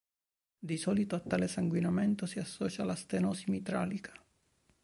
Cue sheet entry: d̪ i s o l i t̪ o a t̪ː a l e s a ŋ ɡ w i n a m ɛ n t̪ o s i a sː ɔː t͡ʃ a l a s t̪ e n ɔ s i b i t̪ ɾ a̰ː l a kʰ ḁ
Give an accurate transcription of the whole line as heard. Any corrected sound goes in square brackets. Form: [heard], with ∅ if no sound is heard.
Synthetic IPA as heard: d̪ i s [ɔ] l i t̪ o a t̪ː a l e s a ŋ ɡ w i n a m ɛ n t̪ o s i a sː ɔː t͡ʃ a l a s t̪ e n ɔ s i [m] i t̪ ɾ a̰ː l [i] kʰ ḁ